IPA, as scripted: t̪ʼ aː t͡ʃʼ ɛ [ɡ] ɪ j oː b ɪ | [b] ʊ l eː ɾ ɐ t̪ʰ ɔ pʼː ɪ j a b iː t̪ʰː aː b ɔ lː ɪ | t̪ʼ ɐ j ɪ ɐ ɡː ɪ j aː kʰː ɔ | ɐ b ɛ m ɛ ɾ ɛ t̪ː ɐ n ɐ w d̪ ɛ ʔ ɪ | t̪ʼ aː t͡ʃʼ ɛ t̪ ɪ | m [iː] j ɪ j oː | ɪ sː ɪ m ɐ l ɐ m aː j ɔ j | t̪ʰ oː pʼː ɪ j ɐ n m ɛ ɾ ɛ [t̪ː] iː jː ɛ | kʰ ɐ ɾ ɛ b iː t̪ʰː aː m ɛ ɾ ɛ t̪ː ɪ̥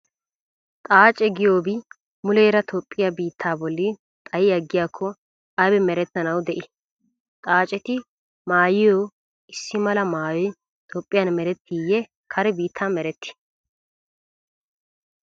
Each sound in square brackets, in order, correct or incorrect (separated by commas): correct, incorrect, incorrect, correct